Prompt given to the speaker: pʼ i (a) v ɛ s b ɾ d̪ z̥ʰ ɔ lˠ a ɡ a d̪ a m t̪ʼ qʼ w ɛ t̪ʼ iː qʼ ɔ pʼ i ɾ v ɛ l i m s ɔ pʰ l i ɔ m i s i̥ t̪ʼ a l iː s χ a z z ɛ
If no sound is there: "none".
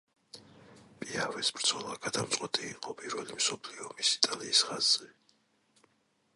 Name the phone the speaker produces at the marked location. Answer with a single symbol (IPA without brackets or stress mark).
a